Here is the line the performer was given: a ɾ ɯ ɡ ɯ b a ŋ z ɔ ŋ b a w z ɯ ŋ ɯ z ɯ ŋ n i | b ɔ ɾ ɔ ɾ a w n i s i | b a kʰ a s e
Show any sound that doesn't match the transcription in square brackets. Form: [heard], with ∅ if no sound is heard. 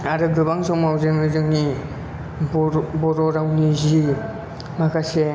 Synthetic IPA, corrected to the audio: a ɾ ɯ ɡ ɯ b a ŋ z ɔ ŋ [m] a w z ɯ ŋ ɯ z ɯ ŋ n i | b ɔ ɾ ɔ ɾ a w n i [z] i | [m] a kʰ a s e